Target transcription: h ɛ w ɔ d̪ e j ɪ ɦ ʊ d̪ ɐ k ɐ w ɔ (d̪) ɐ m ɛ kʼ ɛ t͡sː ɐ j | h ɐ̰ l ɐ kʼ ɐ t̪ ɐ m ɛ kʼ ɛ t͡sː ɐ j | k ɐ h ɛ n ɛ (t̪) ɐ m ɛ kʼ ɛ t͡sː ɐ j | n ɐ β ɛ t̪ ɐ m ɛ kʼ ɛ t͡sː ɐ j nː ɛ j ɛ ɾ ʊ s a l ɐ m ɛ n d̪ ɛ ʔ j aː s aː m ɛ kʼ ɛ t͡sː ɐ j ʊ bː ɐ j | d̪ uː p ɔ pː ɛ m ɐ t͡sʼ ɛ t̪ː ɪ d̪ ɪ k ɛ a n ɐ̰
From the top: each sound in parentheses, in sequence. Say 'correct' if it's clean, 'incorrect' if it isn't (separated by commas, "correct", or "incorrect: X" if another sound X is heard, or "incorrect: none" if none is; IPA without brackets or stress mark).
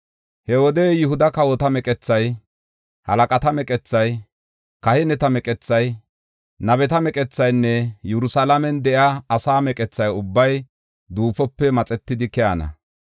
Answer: incorrect: t̪, correct